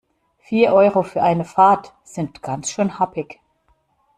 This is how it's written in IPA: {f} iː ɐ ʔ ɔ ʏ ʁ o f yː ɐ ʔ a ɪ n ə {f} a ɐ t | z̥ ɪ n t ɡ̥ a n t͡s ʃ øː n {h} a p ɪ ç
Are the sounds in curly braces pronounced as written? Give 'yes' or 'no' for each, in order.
yes, yes, yes

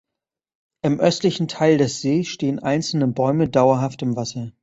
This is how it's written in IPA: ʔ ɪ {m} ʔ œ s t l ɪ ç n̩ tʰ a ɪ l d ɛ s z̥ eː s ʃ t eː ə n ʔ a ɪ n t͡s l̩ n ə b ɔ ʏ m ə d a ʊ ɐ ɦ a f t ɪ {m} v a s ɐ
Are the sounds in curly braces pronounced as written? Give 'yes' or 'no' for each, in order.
yes, yes

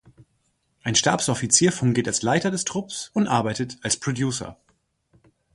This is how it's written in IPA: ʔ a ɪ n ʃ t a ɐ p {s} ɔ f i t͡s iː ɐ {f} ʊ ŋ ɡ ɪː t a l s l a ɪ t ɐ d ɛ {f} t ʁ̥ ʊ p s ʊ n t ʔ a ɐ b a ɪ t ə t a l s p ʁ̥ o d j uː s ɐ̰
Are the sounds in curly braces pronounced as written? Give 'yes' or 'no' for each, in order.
yes, yes, no

